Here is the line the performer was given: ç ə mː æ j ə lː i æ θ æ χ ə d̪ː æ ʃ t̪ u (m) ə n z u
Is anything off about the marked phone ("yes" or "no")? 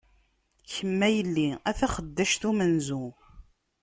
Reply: no